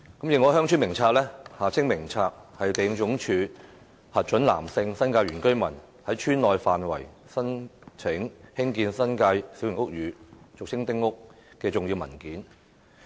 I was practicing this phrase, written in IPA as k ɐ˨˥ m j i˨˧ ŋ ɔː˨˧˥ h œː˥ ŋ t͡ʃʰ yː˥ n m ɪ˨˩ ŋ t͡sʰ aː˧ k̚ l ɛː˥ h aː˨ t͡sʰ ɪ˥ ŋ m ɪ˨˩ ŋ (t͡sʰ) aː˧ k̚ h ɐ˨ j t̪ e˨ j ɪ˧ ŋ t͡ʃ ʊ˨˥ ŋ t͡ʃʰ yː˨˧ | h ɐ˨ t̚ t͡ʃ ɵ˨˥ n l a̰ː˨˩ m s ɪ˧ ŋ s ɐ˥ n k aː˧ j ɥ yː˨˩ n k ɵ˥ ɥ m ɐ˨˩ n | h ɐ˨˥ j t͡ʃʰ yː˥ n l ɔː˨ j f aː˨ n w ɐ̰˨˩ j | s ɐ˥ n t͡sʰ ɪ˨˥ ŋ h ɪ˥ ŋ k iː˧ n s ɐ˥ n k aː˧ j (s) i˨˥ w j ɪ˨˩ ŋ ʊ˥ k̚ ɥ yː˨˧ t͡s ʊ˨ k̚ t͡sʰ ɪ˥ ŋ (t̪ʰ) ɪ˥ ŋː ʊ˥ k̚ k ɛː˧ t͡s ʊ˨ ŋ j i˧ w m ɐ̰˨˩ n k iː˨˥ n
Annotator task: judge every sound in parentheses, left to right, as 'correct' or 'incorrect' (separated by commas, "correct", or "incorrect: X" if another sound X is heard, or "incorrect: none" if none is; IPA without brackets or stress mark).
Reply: correct, correct, incorrect: t̪